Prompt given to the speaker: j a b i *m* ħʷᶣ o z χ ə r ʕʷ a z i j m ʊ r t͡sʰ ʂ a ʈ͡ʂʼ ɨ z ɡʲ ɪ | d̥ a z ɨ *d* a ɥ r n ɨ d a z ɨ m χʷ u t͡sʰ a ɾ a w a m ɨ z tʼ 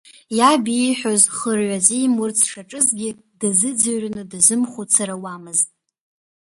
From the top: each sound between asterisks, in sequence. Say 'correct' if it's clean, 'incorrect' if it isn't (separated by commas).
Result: incorrect, incorrect